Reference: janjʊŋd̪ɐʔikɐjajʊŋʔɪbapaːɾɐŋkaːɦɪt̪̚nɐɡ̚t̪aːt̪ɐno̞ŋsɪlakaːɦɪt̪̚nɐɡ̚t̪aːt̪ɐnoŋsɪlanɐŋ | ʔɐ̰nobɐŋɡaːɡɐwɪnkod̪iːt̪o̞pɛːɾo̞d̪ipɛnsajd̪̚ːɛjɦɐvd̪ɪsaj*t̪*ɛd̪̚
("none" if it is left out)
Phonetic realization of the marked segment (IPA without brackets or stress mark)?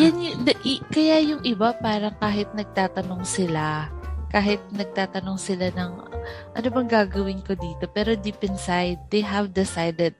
d̪